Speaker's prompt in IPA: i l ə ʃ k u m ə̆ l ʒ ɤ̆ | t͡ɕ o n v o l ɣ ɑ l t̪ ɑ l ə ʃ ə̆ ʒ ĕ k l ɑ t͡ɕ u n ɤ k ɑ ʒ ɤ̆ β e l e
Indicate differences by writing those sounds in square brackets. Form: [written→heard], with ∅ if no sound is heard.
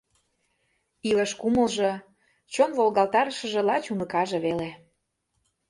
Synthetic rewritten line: i l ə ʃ k u m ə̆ l ʒ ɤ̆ | t͡ɕ o n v o l ɣ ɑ l t̪ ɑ [l→ɾ] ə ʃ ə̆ ʒ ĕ [k→∅] l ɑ t͡ɕ u n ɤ k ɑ ʒ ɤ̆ β e l e

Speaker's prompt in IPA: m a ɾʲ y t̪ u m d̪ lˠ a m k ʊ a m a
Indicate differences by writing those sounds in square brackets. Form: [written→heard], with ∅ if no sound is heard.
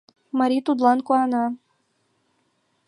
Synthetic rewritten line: m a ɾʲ [y→i] t̪ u [m→∅] d̪ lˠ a [m→n] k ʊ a [m→n] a

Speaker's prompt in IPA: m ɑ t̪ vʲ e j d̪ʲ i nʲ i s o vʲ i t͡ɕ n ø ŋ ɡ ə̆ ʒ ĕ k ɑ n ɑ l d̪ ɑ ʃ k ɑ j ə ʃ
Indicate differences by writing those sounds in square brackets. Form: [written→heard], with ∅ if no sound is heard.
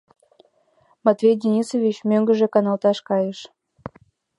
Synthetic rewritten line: m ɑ t̪ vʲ e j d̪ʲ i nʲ i s o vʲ i t͡ɕ [n→m] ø ŋ ɡ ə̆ ʒ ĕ k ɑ n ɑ l [d̪→t̪] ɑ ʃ k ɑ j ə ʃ

